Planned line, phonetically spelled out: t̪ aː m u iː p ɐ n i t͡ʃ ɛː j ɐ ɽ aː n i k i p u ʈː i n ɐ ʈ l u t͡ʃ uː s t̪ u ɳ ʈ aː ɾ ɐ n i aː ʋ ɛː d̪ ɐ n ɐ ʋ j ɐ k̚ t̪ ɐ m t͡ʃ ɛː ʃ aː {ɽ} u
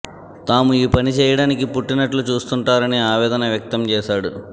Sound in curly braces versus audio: correct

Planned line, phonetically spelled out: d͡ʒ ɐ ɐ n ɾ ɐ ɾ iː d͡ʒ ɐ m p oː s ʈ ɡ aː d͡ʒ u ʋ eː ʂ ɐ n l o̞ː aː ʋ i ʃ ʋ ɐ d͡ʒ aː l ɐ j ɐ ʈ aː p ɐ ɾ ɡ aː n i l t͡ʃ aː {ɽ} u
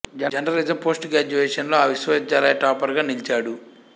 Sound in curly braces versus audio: correct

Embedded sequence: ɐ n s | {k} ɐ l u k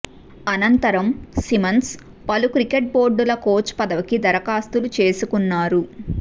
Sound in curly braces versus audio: incorrect: p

